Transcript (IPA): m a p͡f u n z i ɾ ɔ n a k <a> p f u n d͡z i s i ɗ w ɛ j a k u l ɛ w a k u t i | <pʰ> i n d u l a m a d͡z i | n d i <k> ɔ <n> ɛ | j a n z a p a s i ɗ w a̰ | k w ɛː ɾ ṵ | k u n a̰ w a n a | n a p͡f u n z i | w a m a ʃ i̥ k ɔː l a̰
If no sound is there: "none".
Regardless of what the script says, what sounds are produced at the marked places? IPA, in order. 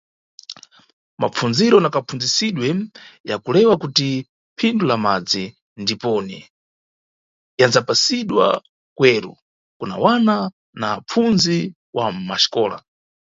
a, pʰ, p, n

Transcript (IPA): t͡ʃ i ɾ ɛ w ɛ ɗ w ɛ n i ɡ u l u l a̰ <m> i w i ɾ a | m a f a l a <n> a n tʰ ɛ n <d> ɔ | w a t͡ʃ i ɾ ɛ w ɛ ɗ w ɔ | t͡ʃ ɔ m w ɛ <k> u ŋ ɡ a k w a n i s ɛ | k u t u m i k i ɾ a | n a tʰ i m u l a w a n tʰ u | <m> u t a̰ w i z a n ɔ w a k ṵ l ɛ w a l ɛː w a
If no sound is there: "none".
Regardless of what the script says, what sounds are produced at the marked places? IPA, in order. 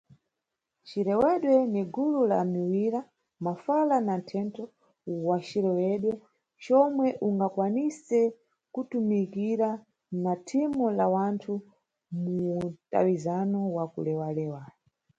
m, n, t, ʔ, m

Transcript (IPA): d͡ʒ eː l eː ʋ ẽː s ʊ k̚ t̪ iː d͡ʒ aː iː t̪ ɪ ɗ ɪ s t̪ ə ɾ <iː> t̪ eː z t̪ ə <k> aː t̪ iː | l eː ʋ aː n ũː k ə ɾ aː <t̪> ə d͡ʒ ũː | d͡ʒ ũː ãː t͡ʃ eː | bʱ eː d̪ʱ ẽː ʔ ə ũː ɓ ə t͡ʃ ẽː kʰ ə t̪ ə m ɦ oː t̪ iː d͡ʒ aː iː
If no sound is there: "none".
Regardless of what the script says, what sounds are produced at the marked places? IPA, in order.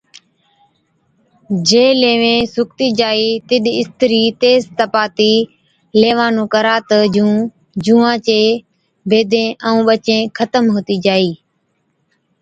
iː, p, t̪

